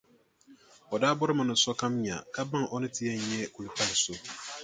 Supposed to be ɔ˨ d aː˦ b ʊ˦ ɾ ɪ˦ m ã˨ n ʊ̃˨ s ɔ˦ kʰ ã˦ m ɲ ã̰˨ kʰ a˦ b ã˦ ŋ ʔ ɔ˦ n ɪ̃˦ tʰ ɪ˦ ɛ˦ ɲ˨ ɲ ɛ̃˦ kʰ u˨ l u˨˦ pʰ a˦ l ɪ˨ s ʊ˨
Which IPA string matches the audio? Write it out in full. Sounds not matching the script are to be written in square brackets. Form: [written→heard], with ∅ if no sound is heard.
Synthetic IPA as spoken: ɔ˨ d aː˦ b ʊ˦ ɾ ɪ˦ m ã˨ n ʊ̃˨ s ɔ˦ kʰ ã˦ m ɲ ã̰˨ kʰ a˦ b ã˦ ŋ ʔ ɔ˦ n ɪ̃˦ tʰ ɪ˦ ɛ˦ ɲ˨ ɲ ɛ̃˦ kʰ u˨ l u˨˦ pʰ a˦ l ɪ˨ s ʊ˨